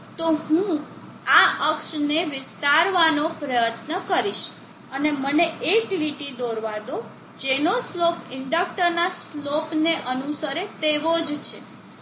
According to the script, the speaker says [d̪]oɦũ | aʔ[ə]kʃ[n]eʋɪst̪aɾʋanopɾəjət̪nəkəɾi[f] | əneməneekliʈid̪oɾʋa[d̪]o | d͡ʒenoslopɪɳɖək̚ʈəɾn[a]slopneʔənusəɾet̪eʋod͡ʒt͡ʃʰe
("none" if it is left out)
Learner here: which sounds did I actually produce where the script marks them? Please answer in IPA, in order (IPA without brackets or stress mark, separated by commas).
t̪, ə, n, ʃ, d̪, a